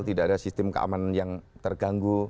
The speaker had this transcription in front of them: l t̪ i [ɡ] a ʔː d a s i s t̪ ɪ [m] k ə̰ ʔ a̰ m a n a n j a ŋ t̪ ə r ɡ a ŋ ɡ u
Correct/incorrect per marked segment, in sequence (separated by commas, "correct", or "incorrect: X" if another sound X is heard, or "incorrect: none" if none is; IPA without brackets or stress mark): incorrect: d, correct